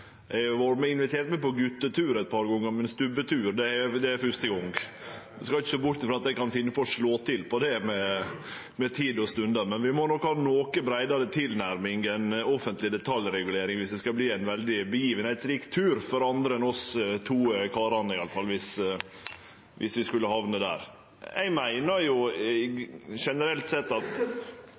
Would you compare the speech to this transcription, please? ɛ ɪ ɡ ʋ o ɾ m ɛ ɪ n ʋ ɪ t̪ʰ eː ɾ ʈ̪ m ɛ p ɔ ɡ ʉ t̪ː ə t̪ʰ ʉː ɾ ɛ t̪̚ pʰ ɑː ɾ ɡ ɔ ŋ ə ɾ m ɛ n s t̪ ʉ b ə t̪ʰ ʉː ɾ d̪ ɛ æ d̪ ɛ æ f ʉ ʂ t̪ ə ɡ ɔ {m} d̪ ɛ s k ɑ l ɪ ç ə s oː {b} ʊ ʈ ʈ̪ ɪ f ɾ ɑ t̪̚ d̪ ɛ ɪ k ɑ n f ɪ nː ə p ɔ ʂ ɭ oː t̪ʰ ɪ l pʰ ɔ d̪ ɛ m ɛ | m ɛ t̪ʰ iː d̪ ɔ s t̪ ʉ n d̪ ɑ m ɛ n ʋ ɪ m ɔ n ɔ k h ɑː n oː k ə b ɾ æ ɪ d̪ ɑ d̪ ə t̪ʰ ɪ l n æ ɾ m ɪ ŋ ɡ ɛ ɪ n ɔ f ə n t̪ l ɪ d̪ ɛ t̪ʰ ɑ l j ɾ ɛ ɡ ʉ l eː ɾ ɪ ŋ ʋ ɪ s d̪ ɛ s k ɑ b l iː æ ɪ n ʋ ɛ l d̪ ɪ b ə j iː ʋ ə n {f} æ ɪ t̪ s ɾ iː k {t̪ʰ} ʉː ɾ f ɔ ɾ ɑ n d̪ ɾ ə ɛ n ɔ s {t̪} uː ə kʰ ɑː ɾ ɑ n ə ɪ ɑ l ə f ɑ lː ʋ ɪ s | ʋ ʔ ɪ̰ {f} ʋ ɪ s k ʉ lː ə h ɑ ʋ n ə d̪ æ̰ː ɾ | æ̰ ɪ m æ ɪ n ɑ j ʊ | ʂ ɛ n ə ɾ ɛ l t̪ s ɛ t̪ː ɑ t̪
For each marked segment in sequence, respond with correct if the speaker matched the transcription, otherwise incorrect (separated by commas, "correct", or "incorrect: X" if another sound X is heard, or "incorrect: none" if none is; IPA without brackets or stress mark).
incorrect: ŋ, correct, incorrect: h, correct, incorrect: t̪ʰ, incorrect: s